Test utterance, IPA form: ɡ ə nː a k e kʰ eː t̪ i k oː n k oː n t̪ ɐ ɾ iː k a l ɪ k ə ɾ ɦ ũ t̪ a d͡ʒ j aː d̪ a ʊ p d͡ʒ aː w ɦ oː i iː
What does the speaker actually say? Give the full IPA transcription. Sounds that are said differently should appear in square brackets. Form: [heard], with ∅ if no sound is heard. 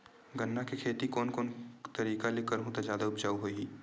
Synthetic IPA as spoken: ɡ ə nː a k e kʰ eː t̪ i k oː n k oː n t̪ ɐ ɾ iː k a l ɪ k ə ɾ ɦ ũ t̪ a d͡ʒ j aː d̪ a ʊ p d͡ʒ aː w ɦ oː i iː